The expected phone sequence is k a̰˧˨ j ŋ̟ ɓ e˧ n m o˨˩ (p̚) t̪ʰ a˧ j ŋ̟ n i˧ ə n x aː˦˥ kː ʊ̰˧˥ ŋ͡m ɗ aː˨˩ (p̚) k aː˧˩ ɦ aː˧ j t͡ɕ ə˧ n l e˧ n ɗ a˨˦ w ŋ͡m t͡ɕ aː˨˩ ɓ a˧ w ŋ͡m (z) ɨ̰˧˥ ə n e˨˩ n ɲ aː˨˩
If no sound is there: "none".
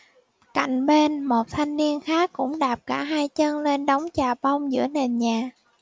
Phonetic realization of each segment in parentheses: t̚, p̚, z

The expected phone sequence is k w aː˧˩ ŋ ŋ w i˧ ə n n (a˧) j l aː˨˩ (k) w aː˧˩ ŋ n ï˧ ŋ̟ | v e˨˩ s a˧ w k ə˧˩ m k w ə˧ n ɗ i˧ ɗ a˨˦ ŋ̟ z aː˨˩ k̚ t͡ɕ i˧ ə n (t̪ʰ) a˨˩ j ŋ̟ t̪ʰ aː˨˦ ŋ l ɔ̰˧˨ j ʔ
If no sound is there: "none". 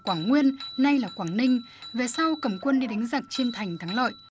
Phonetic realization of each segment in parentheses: a˧, k, t̪ʰ

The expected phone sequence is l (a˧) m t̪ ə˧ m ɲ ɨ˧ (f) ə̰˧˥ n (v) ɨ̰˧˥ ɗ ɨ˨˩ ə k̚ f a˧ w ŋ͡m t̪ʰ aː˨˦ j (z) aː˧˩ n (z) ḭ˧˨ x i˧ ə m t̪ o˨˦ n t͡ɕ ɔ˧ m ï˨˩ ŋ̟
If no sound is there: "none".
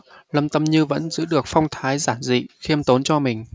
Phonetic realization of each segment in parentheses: ə˧, v, z, z, z

